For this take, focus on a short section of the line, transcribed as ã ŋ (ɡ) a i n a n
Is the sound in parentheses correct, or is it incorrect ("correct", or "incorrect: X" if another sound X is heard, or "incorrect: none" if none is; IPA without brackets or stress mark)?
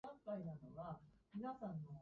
incorrect: k